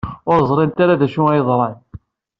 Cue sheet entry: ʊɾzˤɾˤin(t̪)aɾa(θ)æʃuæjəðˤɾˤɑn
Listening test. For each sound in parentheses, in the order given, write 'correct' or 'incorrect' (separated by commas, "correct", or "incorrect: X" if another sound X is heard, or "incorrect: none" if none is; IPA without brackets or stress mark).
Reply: correct, incorrect: ð